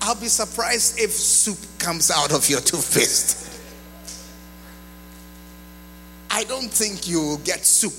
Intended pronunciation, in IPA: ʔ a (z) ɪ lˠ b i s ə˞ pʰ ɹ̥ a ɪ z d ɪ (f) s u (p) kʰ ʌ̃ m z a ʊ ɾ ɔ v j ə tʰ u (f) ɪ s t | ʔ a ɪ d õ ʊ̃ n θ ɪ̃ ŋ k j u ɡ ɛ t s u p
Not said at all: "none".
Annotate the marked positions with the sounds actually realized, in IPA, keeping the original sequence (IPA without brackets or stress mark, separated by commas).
none, f, p, f